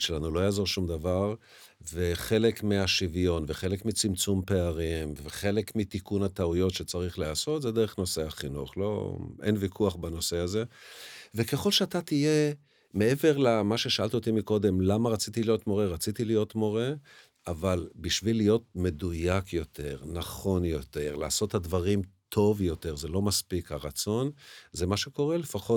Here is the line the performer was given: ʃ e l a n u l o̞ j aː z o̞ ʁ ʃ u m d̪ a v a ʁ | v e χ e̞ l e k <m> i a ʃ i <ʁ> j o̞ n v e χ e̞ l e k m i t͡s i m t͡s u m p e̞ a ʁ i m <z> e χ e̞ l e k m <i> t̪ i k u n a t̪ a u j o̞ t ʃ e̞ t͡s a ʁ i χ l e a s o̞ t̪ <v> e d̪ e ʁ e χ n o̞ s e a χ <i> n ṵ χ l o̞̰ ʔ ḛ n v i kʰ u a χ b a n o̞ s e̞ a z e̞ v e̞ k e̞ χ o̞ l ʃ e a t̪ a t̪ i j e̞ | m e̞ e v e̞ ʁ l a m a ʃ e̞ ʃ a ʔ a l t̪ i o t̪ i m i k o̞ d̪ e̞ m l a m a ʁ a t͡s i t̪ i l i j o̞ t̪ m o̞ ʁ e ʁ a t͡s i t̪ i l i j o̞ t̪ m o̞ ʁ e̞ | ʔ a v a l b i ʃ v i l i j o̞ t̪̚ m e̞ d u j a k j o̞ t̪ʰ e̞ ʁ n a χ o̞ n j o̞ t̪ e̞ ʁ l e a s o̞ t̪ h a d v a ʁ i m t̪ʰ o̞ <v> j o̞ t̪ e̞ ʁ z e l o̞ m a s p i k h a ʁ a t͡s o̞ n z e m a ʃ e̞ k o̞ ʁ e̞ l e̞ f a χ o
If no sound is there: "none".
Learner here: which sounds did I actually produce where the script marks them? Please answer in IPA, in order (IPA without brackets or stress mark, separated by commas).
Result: m, v, v, i, z, i, v